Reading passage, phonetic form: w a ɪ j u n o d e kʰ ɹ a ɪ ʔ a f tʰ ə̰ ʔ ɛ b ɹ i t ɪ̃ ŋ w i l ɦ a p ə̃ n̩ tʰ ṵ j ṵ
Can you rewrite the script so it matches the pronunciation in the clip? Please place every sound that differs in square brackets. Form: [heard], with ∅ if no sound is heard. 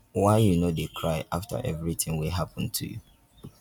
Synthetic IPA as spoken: w a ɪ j u n o d e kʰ ɹ a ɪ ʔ a f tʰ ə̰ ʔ ɛ [v] ɹ i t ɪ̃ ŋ w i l ɦ a p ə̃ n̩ tʰ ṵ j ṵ